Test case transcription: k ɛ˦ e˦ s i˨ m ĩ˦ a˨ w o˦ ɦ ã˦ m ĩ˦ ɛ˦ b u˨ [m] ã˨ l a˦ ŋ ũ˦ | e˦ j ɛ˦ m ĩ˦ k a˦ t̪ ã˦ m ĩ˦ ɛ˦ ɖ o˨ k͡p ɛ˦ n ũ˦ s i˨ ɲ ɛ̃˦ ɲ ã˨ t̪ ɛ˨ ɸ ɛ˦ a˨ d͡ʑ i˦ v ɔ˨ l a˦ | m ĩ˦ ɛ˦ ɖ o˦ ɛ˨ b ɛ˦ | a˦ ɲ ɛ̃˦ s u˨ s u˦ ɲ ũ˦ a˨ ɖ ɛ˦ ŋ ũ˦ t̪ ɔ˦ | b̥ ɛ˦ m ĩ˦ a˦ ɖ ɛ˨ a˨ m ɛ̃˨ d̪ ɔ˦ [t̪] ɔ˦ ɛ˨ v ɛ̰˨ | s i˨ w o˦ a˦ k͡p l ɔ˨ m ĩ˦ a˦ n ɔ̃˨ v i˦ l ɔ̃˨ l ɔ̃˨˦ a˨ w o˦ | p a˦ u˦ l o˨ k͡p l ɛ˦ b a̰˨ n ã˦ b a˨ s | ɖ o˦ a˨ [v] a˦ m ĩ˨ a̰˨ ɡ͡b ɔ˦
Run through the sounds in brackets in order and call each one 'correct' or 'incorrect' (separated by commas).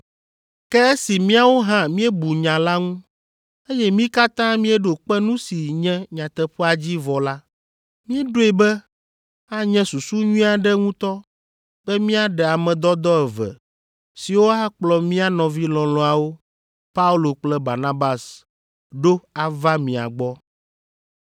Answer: incorrect, incorrect, correct